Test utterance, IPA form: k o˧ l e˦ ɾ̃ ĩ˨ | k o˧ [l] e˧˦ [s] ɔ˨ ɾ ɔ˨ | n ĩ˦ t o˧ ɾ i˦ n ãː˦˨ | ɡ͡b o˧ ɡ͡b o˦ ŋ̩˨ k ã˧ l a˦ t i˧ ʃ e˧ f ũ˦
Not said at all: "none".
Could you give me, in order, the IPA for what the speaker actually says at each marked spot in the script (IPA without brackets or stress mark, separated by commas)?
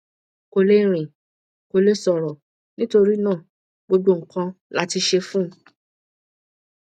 l, s